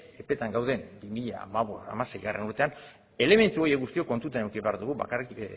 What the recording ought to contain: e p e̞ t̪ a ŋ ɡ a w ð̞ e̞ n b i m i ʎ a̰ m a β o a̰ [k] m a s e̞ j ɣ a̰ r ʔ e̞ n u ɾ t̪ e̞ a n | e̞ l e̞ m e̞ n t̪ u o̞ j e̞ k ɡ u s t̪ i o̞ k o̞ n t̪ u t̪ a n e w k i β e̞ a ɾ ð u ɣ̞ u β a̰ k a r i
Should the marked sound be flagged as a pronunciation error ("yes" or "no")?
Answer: yes